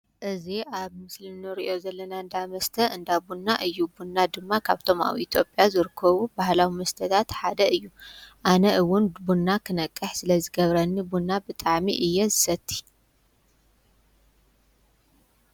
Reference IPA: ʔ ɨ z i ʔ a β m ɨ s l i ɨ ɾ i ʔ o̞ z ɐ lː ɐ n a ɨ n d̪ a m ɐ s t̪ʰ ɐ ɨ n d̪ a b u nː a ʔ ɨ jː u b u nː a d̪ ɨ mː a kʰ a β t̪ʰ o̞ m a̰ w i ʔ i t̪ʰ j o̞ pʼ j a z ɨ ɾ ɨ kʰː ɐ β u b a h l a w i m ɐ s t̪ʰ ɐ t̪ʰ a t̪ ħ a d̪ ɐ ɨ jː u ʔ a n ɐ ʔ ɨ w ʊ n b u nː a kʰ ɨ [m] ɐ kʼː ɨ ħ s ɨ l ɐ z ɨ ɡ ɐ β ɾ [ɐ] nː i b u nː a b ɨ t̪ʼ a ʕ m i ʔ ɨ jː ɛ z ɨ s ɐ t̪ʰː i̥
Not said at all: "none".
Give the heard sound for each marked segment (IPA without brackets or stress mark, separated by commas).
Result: n, ɐ